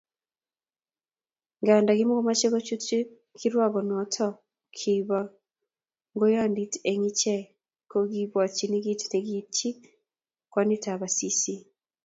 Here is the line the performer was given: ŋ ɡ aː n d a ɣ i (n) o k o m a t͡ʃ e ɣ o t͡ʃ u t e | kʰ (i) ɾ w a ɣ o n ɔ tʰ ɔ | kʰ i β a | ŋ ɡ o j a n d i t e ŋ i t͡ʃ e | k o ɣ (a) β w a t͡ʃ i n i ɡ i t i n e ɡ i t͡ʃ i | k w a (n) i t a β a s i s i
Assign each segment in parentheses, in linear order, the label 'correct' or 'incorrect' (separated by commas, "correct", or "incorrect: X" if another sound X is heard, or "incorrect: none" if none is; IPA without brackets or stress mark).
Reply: incorrect: m, correct, incorrect: i, correct